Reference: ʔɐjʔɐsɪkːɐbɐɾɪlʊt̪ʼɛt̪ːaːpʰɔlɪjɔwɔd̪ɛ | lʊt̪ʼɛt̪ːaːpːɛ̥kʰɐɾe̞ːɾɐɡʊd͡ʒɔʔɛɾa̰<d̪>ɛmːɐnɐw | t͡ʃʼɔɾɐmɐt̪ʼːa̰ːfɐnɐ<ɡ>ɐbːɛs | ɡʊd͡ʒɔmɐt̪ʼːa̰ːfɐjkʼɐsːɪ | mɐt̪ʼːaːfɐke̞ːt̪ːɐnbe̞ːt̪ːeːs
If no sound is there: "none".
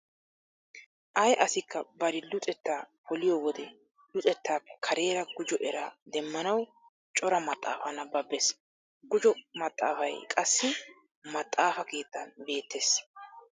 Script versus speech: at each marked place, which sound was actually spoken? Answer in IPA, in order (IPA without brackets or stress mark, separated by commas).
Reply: d̪, b